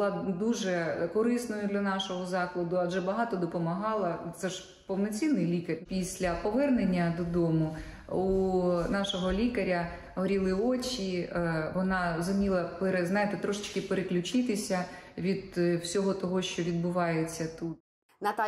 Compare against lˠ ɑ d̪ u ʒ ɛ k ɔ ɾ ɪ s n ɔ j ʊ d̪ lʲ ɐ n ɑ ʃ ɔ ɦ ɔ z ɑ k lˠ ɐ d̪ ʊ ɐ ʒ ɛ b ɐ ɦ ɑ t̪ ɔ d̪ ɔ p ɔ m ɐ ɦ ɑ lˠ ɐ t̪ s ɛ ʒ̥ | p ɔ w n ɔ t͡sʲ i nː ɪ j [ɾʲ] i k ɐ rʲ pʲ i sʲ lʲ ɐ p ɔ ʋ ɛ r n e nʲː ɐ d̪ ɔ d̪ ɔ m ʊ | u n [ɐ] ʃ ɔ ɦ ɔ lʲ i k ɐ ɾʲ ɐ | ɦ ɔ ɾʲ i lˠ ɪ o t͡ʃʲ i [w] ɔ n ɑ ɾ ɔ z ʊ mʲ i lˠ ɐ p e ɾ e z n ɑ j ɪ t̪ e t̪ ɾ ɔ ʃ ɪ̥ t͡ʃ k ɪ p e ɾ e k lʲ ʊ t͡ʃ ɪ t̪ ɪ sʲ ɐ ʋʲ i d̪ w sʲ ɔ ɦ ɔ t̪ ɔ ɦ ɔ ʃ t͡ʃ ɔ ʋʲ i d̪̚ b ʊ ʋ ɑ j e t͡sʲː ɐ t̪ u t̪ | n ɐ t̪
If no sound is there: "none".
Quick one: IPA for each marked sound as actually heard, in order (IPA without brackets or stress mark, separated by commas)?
lʲ, ɑ, ʋ